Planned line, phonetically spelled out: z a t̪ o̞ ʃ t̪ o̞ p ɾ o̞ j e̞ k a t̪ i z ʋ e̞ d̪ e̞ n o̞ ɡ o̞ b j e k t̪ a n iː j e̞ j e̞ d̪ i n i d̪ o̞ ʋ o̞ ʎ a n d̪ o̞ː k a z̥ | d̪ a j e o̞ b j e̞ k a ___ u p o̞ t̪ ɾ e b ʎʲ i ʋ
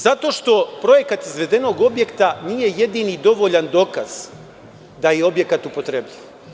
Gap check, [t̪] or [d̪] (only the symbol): t̪